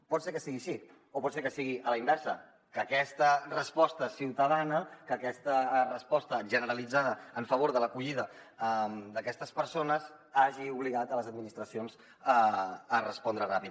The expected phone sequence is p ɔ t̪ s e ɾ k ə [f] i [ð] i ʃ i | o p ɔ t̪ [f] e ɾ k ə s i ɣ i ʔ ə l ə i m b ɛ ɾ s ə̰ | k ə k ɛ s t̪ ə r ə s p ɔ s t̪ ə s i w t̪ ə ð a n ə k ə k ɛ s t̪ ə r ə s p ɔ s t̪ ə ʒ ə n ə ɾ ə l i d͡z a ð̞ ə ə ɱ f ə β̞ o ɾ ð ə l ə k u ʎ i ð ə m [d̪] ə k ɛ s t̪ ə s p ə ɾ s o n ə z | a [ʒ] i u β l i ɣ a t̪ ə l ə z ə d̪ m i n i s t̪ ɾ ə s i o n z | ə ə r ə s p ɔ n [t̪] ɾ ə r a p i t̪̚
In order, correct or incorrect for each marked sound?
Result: incorrect, incorrect, incorrect, correct, correct, incorrect

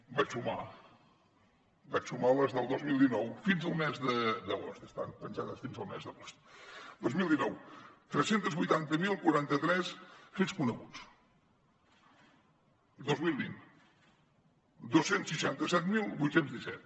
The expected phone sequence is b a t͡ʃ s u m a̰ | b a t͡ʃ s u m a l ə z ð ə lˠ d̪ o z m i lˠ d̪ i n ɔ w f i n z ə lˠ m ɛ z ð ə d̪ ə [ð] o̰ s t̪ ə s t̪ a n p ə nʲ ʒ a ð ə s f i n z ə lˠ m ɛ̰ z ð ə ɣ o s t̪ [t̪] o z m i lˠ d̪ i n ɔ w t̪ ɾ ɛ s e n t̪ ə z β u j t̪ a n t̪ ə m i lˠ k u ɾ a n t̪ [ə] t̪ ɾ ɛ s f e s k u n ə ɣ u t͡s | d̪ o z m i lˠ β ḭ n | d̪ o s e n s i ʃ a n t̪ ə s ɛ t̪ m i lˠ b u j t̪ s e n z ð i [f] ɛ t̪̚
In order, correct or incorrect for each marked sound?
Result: incorrect, incorrect, correct, incorrect

